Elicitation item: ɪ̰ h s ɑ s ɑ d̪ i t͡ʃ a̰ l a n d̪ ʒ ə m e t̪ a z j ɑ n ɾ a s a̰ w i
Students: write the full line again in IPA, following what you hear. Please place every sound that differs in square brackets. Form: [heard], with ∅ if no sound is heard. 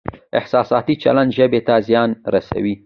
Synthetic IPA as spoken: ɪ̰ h s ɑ s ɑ [t̪] i t͡ʃ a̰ l a n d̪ ʒ ə [b] e t̪ a z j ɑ n ɾ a s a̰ w i